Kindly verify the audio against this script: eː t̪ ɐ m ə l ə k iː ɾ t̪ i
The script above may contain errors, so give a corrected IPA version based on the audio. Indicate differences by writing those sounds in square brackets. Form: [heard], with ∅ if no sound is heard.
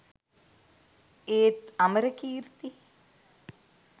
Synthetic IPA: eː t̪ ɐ m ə [ɾ] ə k iː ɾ t̪ i